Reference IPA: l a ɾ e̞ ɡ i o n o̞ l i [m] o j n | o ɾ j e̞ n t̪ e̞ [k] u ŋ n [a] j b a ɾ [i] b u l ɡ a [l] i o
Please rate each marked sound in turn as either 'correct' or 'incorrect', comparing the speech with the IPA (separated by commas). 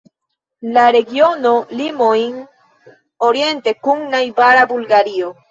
correct, correct, correct, incorrect, incorrect